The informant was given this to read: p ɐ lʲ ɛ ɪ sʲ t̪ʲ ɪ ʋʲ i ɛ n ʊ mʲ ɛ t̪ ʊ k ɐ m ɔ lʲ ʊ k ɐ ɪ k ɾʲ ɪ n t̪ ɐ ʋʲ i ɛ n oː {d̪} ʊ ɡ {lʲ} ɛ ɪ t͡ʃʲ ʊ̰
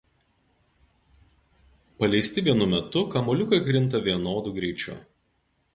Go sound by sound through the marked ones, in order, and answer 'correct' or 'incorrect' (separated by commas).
correct, incorrect